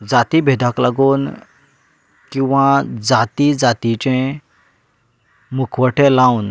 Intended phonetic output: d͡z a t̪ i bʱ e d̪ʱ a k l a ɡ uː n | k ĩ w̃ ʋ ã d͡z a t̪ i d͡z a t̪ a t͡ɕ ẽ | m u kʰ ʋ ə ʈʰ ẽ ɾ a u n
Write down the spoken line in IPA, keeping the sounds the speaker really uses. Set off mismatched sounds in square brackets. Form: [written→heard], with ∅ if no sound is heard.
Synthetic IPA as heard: d͡z a t̪ i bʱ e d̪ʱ a k l a ɡ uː n | k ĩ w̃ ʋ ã d͡z a t̪ i d͡z a t̪ [a→i] t͡ɕ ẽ | m u kʰ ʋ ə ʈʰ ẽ [ɾ→l] a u n